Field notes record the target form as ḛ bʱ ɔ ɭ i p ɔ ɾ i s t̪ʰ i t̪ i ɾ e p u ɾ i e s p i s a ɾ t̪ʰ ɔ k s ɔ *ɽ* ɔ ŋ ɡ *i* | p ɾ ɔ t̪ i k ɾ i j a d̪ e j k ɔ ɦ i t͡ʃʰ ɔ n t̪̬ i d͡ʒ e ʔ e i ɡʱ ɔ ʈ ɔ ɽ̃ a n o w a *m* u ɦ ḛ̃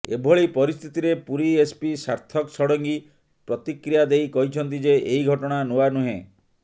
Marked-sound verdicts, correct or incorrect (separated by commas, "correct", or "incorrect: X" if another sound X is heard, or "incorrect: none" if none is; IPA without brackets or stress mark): correct, correct, incorrect: n